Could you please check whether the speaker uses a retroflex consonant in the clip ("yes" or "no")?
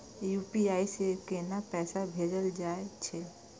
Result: no